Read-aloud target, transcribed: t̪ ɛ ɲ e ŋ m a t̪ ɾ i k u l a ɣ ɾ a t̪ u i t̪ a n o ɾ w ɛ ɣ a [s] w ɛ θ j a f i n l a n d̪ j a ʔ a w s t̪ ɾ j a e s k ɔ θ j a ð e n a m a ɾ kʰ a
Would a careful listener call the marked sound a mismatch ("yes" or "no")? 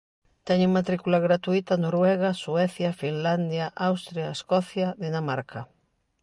no